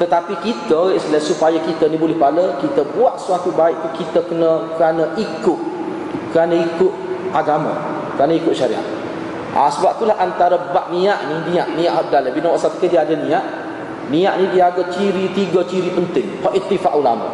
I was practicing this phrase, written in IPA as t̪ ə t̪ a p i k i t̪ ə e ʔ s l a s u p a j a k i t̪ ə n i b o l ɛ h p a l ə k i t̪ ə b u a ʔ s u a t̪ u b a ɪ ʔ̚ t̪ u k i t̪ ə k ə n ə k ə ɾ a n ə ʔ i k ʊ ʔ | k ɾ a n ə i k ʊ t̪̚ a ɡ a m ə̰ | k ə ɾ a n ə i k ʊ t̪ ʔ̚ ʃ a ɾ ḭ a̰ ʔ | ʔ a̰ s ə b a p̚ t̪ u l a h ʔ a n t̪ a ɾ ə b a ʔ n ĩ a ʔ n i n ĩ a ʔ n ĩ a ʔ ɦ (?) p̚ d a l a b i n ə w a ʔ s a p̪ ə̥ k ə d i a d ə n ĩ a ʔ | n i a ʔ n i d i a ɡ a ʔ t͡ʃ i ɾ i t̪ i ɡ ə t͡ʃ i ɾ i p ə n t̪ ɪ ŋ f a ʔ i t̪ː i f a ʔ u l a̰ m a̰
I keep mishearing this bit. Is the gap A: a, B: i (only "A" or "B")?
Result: A